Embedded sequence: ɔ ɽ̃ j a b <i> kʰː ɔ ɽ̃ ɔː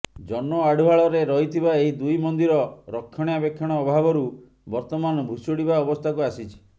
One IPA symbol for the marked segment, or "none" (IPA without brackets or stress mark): e